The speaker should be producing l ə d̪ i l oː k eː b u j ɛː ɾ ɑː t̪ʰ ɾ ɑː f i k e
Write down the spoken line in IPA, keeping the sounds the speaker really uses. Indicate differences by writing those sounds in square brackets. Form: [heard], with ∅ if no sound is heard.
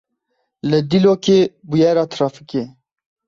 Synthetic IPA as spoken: l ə d̪ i l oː k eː b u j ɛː ɾ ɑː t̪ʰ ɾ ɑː f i k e